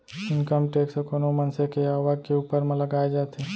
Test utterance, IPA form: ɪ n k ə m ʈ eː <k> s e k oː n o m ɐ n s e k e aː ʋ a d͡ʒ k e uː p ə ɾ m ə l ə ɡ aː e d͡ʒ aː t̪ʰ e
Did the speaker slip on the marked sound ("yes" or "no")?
no